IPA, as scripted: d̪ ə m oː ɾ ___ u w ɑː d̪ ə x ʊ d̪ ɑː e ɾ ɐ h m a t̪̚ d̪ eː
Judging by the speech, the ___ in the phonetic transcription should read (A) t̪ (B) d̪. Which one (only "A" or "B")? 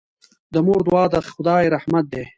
B